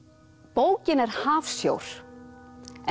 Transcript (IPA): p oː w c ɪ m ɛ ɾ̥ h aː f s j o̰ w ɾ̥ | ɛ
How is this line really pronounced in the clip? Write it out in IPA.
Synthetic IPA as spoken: p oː w c ɪ n ɛ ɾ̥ h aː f s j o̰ w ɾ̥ | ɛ